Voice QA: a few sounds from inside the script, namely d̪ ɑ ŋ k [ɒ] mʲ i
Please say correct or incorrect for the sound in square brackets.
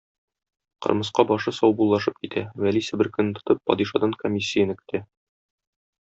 incorrect